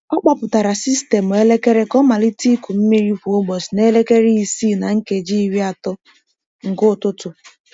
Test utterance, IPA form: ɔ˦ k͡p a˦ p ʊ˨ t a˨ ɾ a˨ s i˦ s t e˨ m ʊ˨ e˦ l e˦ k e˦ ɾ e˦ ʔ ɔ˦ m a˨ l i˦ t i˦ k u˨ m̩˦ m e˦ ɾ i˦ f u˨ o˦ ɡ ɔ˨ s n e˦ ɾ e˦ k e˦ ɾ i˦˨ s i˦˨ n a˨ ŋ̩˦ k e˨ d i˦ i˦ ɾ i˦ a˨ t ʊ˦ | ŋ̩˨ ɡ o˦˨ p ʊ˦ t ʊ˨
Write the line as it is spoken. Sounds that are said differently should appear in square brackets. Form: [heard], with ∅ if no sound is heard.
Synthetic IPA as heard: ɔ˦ k͡p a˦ p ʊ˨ t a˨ ɾ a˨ s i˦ s t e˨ m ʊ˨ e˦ l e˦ k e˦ ɾ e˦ [k] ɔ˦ m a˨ l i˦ t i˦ k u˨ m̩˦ m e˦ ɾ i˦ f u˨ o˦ [ɡ͡b] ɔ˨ s n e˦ [l] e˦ k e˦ ɾ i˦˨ s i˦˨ n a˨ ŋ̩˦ k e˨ [d͡ʒ] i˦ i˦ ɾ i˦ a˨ t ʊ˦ | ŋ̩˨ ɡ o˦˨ [t] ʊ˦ t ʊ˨

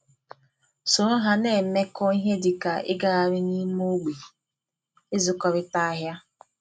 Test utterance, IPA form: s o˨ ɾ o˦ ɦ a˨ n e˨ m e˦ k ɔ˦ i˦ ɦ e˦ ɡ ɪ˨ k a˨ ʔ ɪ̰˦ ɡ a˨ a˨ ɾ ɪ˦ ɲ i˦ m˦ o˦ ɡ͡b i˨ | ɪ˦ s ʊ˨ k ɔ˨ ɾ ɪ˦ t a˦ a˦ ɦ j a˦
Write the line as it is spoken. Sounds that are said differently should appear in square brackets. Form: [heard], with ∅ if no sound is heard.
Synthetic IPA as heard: s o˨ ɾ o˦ ɦ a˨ n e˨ m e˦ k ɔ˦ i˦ ɦ e˦ [d] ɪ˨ k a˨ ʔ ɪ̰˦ ɡ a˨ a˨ ɾ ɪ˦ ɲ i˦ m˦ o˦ ɡ͡b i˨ | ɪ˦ [z] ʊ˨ k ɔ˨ ɾ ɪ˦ t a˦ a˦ ɦ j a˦

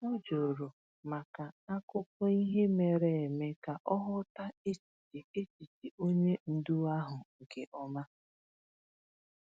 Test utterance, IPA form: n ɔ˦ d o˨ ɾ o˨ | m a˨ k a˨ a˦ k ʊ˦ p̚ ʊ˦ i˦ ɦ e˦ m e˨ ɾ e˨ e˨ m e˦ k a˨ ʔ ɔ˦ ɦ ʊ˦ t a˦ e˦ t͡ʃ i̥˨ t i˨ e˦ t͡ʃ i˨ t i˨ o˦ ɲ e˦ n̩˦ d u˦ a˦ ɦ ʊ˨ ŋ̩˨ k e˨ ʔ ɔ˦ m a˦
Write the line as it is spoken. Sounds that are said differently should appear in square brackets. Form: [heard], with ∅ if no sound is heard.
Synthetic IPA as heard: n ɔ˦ [d͡ʒ] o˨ ɾ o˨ | m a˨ k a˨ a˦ k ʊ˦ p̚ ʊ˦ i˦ ɦ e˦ m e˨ ɾ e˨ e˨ m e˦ k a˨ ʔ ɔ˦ ɦ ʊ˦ t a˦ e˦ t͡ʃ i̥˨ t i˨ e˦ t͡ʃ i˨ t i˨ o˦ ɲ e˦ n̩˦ d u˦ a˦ ɦ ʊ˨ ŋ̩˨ k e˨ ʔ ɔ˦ m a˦

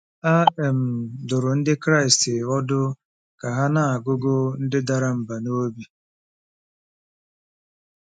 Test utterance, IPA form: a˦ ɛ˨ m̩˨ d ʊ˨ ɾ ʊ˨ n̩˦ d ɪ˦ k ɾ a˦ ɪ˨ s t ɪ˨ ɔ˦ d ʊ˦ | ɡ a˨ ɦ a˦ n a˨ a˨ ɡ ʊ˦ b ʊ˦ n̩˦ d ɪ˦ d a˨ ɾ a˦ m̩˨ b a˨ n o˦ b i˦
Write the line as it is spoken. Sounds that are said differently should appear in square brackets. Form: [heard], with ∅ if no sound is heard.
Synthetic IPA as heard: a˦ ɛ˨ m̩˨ d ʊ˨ ɾ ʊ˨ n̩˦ d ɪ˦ k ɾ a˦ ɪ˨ s t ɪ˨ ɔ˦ d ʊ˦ | [k] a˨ ɦ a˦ n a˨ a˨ ɡ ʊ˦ [ɡ] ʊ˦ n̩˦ d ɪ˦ d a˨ ɾ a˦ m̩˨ b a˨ n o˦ b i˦

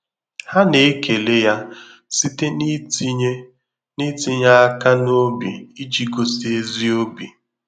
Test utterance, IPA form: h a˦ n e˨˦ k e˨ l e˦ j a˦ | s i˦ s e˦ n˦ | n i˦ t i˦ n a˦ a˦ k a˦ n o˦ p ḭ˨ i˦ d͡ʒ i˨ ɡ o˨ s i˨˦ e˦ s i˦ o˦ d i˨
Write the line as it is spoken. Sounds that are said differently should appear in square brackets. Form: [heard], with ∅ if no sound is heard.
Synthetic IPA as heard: h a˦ n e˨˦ k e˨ l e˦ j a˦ | s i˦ [t] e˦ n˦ | n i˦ t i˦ [ɲ] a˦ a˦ k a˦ n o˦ [b] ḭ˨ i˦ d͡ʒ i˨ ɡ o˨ s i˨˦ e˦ [z] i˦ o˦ [b] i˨

